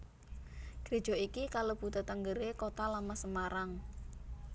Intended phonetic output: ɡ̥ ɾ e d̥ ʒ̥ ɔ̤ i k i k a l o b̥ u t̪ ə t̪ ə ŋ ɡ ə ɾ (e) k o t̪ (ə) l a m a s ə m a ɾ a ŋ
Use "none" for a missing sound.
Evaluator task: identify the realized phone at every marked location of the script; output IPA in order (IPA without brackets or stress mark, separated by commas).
e, a